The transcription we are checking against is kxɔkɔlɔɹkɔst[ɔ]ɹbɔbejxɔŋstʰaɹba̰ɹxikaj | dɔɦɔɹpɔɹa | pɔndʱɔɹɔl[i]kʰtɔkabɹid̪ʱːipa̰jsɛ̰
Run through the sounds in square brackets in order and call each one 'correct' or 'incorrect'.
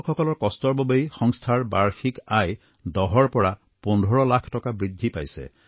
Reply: correct, incorrect: a

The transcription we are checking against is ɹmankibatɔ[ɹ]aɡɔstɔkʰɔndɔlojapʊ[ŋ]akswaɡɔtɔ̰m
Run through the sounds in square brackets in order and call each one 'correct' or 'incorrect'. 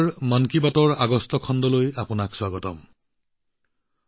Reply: correct, incorrect: n

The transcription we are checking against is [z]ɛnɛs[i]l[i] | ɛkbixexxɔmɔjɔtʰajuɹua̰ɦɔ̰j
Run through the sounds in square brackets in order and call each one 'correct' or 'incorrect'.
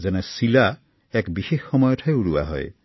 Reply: correct, correct, incorrect: a

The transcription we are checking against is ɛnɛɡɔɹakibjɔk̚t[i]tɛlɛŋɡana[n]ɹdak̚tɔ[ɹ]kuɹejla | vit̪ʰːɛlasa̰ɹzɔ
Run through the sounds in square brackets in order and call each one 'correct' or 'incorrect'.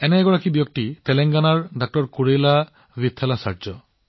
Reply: correct, incorrect: none, correct

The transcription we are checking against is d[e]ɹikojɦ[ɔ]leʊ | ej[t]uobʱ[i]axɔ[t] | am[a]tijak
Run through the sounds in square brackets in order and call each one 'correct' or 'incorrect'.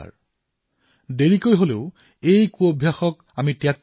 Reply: correct, incorrect: o, incorrect: k, incorrect: j, incorrect: k, incorrect: i

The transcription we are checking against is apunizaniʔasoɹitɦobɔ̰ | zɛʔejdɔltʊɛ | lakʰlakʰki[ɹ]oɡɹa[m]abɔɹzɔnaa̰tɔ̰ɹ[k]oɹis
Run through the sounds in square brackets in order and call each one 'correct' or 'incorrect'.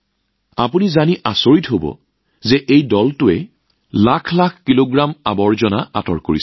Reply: incorrect: l, correct, correct

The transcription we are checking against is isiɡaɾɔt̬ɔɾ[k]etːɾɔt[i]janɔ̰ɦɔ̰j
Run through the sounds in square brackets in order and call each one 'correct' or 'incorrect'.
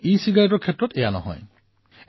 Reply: incorrect: kʰ, incorrect: e

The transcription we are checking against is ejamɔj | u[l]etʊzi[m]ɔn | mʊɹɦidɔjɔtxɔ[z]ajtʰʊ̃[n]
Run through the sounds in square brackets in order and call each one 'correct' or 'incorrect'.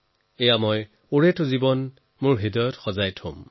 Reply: incorrect: ɹ, incorrect: b, correct, incorrect: m

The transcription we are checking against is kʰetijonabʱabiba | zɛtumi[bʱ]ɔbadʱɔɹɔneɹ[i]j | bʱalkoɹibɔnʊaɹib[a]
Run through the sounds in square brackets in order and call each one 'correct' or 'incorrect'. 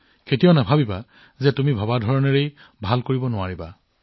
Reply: correct, incorrect: e, correct

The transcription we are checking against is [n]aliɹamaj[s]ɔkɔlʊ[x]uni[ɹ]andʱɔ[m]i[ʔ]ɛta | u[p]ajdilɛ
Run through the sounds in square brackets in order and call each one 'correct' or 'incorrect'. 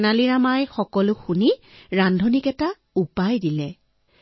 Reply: correct, incorrect: x, correct, correct, incorrect: n, incorrect: k, correct

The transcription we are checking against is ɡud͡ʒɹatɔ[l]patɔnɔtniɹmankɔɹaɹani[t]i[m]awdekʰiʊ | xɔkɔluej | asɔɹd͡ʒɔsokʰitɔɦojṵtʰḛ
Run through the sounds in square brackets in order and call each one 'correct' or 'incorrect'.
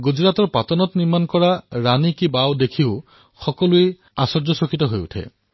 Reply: incorrect: ɹ, incorrect: k, incorrect: b

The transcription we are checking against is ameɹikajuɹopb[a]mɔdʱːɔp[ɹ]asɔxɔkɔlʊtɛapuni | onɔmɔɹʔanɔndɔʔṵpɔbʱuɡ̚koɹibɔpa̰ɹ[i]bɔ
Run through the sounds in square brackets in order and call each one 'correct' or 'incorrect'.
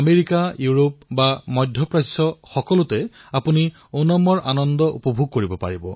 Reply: correct, correct, correct

